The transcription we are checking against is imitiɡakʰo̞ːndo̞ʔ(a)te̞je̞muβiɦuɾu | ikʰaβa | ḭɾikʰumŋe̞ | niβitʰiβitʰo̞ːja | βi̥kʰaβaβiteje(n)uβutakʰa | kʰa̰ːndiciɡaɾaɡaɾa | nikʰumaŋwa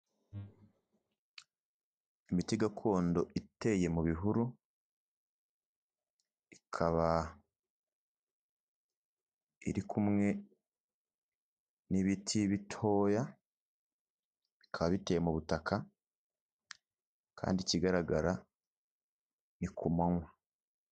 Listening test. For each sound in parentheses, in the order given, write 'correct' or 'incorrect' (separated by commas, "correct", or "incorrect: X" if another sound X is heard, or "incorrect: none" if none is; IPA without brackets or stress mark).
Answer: incorrect: i, incorrect: m